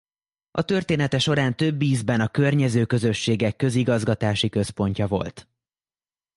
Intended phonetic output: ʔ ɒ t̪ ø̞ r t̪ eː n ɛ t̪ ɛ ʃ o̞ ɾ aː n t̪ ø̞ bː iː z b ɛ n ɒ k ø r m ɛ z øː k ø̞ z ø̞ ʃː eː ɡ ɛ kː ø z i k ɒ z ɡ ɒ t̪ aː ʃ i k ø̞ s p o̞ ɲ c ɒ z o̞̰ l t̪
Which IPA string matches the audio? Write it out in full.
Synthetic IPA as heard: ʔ ɒ t̪ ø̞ r t̪ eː n ɛ t̪ ɛ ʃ o̞ ɾ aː n t̪ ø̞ bː iː z b ɛ n ɒ k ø r ɲ ɛ z øː k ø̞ z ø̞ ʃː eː ɡ ɛ kː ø z i ɡ ɒ z ɡ ɒ t̪ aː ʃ i k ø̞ s p o̞ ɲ c ɒ v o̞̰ l t̪

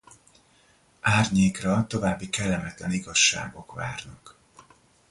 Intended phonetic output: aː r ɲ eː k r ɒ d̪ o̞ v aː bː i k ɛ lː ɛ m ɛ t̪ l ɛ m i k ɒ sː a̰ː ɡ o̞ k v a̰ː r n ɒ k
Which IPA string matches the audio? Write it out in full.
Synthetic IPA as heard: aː r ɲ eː k r ɒ t̪ o̞ v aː bː i k ɛ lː ɛ m ɛ t̪ l ɛ n i ɡ ɒ ʃː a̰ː ɡ o̞ k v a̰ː r n ɒ k

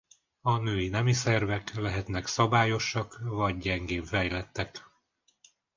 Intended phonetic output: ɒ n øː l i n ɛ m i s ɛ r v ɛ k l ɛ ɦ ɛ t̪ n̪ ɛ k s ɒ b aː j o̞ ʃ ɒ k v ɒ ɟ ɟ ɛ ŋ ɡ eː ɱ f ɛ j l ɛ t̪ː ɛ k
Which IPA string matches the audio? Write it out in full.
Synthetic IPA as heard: ɒ n øː i n ɛ m i s ɛ r v ɛ k l ɛ ɦ ɛ t̪ n̪ ɛ k s ɒ b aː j o̞ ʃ ɒ k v ɒ ɟ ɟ ɛ ŋ ɡ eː ɱ f ɛ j l ɛ t̪ː ɛ k

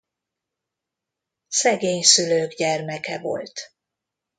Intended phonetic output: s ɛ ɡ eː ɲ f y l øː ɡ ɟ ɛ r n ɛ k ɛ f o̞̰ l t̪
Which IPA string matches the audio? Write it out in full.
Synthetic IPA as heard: s ɛ ɡ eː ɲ s y l øː ɡ ɟ ɛ r m ɛ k ɛ v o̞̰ l t̪

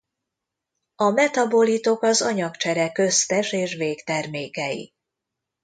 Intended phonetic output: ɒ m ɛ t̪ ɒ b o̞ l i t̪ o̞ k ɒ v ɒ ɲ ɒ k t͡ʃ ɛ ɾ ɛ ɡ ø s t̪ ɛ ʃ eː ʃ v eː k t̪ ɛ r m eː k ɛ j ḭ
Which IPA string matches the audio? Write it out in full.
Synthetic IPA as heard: ɒ m ɛ t̪ ɒ b o̞ l i t̪ o̞ k ɒ z ɒ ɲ ɒ k t͡ʃ ɛ ɾ ɛ k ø s t̪ ɛ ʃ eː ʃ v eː k t̪ ɛ r m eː k ɛ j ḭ

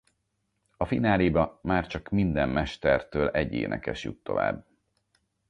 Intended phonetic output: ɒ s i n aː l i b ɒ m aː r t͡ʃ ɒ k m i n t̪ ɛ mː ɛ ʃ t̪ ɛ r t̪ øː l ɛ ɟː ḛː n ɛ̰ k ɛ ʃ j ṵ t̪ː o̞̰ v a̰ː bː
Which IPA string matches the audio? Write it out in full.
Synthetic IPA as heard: ɒ f i n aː l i b ɒ m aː r t͡ʃ ɒ k m i n d̪ ɛ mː ɛ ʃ t̪ ɛ r t̪ øː l ɛ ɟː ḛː n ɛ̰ k ɛ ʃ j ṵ t̪ː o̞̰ v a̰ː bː

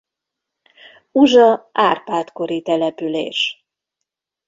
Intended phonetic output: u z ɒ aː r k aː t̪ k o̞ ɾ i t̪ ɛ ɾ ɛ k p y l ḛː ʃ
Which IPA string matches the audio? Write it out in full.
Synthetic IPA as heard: u ʒ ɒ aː r p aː t̪ k o̞ ɾ i t̪ ɛ l ɛ p y l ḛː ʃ

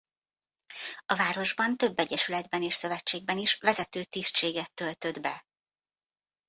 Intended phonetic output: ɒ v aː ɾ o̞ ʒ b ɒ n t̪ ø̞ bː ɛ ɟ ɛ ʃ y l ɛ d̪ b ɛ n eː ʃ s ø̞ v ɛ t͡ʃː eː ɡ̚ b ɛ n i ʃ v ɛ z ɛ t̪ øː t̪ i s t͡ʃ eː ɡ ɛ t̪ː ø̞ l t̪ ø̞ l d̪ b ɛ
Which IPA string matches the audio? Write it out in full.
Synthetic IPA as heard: ɒ v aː ɾ o̞ ʒ b ɒ n t̪ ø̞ bː ɛ ɟ ɛ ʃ y l ɛ d̪ b ɛ n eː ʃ s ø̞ v ɛ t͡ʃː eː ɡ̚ b ɛ n i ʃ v ɛ z ɛ t̪ øː t̪ i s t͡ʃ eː ɡ ɛ t̪ː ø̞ l t̪ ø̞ d̪ b ɛ

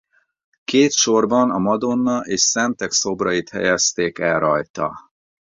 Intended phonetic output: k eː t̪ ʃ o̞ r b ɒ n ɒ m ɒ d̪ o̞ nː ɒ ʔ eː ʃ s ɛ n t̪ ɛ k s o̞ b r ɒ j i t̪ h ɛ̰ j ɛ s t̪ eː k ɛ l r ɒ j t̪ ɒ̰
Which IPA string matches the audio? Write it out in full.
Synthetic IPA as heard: k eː t̪ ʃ o̞ r b ɒ n ɒ m ɒ d̪ o̞ nː ɒ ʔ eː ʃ s ɛ n t̪ ɛ k s o̞ b r ɒ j i t̪ h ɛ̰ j ɛ s t̪ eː k ɛ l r ɒ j t̪ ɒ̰

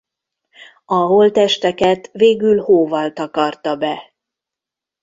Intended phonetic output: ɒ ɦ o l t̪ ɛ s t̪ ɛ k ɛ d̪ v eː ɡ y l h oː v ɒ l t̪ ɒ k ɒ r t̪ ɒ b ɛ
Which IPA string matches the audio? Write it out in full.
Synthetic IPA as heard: ɒ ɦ o l t̪ ɛ ʃ t̪ ɛ k ɛ t̪ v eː ɡ y l h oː v ɒ l t̪ ɒ k ɒ r t̪ ɒ b ɛ

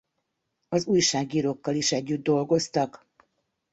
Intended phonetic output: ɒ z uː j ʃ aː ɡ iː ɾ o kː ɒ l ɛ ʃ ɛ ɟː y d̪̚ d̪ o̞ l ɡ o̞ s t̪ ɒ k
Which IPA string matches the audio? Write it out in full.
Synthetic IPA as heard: ɒ z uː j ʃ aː ɡ iː ɾ o kː ɒ l i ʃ ɛ ɟː y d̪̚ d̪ o̞ l ɡ o̞ s t̪ ɒ k

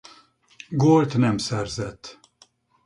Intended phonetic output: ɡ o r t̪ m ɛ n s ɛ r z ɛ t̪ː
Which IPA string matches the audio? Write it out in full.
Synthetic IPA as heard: ɡ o l t̪ n ɛ m s ɛ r z ɛ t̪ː

